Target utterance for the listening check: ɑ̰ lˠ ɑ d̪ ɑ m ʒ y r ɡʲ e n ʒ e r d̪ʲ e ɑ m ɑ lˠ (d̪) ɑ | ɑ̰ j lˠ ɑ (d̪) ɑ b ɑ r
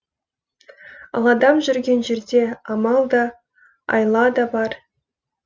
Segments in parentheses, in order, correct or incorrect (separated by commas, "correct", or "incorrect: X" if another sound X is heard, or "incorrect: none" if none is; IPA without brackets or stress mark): correct, correct